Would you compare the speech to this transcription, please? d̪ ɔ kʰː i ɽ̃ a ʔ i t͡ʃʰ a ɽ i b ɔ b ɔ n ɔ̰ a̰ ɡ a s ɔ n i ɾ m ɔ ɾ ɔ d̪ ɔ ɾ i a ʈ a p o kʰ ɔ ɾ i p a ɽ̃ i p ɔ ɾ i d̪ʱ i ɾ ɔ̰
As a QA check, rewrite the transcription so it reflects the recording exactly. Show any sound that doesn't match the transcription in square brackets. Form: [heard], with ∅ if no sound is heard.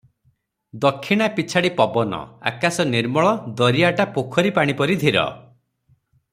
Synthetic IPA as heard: d̪ ɔ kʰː i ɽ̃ a [p] i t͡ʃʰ a ɽ i [p] ɔ b ɔ n ɔ̰ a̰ [k] a s ɔ n i ɾ m ɔ [ɭ] ɔ d̪ ɔ ɾ i a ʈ a p o kʰ ɔ ɾ i p a ɽ̃ i p ɔ ɾ i d̪ʱ i ɾ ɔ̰